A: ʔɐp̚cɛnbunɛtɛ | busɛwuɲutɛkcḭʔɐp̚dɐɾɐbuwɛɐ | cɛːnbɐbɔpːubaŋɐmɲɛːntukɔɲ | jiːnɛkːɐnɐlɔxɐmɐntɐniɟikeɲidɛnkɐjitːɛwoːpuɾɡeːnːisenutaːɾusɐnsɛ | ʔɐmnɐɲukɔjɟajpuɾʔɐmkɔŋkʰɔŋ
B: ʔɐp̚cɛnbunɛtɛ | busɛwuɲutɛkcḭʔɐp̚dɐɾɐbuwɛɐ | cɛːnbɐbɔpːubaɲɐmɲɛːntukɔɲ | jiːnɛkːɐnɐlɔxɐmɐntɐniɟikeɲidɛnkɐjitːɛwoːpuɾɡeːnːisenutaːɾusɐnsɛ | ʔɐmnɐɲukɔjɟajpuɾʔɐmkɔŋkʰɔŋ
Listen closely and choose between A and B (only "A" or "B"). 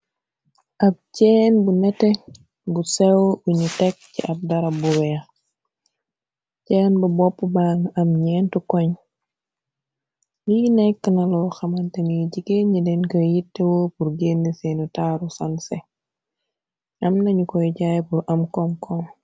A